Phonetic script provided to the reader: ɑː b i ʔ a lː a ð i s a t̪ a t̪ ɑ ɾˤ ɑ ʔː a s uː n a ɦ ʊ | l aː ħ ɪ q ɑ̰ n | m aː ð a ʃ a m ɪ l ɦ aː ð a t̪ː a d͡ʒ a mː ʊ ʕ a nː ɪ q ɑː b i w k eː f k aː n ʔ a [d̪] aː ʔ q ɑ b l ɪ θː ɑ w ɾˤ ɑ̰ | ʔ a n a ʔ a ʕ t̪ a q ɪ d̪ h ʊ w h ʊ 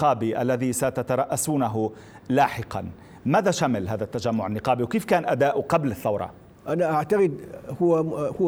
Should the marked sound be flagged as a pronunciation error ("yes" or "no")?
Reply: no